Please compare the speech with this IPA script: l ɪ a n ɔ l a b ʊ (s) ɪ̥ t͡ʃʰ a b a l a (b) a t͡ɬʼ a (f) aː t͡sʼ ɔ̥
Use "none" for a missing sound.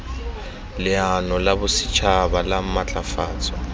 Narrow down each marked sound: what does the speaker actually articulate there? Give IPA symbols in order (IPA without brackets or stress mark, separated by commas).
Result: s, m, f